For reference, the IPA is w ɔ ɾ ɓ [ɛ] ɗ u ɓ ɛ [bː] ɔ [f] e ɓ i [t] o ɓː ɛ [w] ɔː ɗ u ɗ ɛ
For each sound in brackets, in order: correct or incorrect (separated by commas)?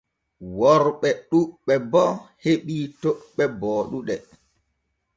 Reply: correct, incorrect, incorrect, correct, incorrect